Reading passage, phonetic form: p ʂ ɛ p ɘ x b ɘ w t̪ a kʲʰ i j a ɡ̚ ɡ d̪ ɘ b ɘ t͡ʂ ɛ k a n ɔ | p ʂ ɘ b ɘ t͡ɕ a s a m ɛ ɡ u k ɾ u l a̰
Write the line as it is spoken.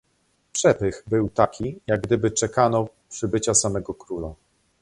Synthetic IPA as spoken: p ʂ ɛ p ɘ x b ɘ w t̪ a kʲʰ i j a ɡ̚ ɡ d̪ ɘ b ɘ t͡ʂ ɛ k a n ɔ | p ʂ ɘ b ɘ t͡ɕ a s a m ɛ ɡ ɔ k ɾ u l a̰